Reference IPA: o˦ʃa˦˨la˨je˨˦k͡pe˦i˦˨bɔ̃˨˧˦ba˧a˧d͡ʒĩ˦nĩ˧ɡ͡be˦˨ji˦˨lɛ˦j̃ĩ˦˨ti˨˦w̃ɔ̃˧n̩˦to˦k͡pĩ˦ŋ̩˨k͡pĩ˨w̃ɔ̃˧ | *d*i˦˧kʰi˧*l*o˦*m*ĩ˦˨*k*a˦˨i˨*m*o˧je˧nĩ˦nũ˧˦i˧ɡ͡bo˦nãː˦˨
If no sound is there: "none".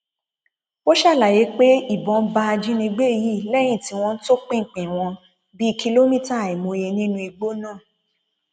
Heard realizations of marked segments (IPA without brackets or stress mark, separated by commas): b, l, m, t, m